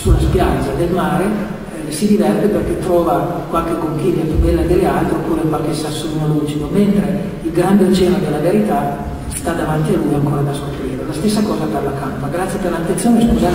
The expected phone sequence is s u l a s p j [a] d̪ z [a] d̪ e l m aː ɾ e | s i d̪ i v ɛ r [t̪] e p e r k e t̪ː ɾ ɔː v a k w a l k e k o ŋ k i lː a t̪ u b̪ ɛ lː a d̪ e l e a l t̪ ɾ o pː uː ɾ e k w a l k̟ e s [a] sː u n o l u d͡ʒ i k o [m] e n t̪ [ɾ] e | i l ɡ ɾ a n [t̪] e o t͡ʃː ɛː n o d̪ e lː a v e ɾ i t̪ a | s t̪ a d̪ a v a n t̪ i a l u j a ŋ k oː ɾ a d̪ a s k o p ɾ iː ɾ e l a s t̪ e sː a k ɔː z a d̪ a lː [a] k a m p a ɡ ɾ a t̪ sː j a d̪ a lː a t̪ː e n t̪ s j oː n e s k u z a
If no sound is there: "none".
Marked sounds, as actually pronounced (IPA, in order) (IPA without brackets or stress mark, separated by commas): a, a, t̪, a, m, ɾ, d̪, a